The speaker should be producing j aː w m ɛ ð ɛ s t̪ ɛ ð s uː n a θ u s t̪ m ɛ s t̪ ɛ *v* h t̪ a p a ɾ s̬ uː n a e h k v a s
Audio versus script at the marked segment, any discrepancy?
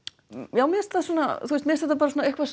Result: yes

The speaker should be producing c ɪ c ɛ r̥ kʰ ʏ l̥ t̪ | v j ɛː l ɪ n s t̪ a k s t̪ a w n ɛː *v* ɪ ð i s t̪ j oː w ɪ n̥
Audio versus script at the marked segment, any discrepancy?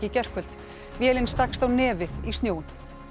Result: no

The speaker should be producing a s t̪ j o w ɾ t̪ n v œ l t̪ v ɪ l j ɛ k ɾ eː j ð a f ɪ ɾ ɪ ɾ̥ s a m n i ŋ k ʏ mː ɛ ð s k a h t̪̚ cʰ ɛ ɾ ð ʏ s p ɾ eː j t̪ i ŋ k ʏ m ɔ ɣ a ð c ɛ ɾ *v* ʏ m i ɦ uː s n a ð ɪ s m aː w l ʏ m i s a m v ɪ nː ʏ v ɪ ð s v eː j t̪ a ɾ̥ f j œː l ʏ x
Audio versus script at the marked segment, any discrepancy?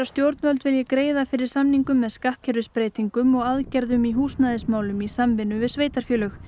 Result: yes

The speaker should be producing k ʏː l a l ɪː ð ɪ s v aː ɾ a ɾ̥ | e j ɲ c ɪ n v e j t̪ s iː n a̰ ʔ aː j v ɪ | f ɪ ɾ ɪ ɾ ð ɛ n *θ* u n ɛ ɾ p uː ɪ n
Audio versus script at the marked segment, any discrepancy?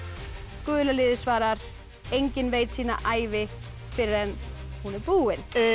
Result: yes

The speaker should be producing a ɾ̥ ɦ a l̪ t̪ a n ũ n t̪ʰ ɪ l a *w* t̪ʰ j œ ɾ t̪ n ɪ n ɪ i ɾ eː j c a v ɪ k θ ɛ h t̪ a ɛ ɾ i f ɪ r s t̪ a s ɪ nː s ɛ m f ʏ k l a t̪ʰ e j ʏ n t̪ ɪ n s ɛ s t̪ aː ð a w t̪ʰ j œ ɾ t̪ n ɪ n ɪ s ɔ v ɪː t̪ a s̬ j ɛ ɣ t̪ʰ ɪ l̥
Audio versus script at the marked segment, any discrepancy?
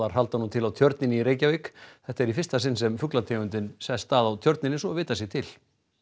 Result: no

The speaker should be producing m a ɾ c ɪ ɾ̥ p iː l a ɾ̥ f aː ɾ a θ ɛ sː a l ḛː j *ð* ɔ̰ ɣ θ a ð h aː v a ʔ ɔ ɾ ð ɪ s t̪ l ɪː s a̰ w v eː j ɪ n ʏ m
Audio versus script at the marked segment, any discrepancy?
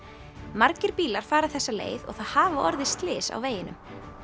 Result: no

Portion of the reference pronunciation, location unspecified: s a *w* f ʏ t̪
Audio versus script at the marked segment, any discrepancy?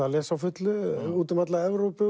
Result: no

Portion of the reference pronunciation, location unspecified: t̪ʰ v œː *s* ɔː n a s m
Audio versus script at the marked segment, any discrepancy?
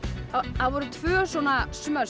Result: no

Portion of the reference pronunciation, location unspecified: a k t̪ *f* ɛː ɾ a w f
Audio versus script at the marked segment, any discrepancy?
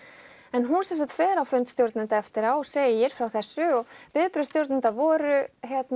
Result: no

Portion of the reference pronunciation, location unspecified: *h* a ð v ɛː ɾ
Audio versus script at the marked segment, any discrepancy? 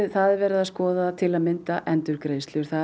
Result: yes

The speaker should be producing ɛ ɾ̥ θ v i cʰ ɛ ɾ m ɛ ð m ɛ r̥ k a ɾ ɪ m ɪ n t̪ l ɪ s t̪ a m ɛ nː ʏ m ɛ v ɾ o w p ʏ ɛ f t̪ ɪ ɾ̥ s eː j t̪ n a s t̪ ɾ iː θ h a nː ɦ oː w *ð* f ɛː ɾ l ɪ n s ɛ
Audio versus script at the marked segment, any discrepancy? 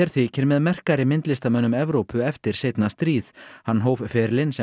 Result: yes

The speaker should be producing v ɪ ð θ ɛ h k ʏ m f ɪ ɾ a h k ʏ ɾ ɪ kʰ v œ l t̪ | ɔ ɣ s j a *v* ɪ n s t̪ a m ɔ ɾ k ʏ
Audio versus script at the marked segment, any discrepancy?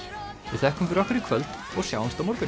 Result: yes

